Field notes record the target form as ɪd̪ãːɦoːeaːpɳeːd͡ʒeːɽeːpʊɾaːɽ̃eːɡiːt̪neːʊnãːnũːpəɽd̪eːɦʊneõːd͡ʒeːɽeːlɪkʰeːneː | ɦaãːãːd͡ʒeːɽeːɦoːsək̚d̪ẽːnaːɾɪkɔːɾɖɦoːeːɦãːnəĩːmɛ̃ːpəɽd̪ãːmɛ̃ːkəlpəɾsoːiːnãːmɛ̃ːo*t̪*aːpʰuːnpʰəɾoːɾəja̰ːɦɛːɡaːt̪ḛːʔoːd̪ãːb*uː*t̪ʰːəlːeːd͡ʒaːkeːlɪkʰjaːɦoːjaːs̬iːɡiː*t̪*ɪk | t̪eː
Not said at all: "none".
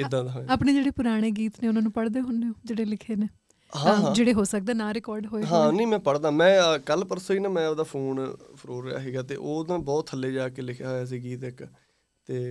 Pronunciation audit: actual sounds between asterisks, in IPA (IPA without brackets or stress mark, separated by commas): d̪, ɔː, t̪